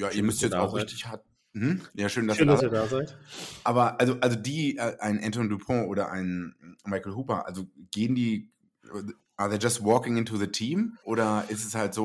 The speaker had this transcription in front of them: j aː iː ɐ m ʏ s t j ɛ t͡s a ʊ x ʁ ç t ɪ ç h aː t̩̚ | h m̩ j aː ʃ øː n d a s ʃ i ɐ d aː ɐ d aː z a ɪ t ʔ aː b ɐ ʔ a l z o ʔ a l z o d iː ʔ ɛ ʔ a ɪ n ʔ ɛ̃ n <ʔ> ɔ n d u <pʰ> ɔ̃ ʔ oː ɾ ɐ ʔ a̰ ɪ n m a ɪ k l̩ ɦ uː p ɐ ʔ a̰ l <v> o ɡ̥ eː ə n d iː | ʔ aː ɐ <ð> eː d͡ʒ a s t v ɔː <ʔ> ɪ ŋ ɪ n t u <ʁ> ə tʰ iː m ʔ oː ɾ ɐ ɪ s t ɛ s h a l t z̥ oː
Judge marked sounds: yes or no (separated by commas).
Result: no, yes, no, yes, no, no